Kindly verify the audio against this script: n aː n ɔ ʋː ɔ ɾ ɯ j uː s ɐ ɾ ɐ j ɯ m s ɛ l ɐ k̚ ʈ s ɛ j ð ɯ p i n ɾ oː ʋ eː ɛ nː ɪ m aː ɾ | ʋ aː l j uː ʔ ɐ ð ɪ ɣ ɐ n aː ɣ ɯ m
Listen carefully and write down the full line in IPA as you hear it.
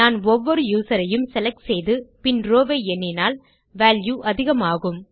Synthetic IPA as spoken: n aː n ɔ ʋː ɔ ɾ ɯ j uː s ɐ ɾ ɐ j ɯ m s ɛ l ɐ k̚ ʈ s ɛ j ð ɯ p ɪ n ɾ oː ʋ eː ɛ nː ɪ n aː l | ʋ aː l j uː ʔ ɐ ð ɪ ɣ ɐ m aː ɣ ɯ m

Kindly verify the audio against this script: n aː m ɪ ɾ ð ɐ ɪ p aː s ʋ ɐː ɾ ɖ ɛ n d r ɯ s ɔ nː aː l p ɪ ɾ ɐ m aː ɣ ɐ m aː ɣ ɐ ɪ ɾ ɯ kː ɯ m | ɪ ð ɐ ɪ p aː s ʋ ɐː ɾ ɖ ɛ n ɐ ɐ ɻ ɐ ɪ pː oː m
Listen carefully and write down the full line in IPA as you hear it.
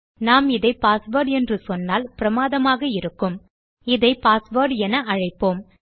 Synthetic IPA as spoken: n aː m ɪ ð ɐ ɪ p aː s ʋ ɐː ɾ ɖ ɛ n d r ɯ s ɔ nː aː l p ɪ ɾ ɐ m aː ð ɐ m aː ɣ ɐ ɪ ɾ ɯ kː ɯ m | ɪ ð ɐ ɪ p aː s ʋ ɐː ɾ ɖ ɛ n ɐ ɐ ɻ ɐ ɪ pː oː m

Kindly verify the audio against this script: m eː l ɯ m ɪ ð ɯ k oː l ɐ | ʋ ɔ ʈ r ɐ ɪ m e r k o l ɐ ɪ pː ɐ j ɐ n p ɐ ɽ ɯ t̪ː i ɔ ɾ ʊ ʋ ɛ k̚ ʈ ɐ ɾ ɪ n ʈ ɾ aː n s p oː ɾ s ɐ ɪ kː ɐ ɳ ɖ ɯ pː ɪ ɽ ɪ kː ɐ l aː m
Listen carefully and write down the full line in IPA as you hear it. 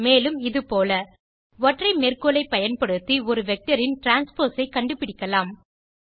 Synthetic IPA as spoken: m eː l ɯ m ɪ ð ɯ p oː l ɐ | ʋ ɔ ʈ r ɐ ɪ m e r k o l ɐ ɪ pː ɐ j ɐ n p ɐ ɽ ɯ t̪ː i ɔ ɾ ɯ ʋ ɛ k̚ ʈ ɐ ɾ ɪ n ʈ ɾ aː n s p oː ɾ s ɐ ɪ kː ɐ ɳ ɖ ɯ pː ɪ ɽ ɪ kː ɐ l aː m

